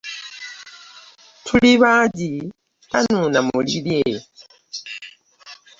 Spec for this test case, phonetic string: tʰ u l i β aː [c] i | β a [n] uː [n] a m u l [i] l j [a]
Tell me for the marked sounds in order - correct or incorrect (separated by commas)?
incorrect, correct, correct, correct, incorrect